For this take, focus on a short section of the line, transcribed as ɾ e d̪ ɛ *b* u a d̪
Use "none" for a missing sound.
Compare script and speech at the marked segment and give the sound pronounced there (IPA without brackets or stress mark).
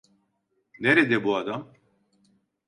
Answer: b